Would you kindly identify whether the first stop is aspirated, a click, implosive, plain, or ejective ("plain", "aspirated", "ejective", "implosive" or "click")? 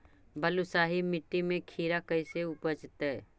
plain